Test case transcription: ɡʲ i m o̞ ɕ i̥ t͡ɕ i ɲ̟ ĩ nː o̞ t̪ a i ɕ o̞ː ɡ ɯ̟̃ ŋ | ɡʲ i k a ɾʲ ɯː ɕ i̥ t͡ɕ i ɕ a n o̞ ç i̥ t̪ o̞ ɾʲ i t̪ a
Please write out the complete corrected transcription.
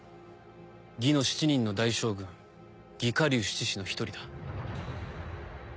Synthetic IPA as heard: ɡʲ i n o̞ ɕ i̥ t͡ɕ i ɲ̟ ĩ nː o̞ d̪ a i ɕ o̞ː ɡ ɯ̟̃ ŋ | ɡʲ i k a ɾʲ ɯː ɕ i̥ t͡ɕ i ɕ i n o̞ ç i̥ t̪ o̞ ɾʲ i d̪ a